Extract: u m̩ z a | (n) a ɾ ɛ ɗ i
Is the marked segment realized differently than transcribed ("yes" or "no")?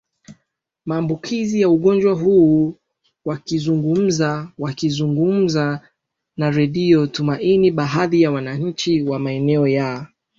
no